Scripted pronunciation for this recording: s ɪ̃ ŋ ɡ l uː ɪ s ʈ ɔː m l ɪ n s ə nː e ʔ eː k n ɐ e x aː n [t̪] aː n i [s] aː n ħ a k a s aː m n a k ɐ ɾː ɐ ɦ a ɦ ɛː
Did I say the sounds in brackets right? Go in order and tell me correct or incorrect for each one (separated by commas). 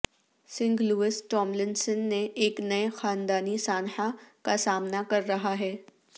incorrect, correct